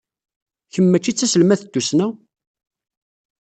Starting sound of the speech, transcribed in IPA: ç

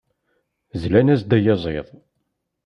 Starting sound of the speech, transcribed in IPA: z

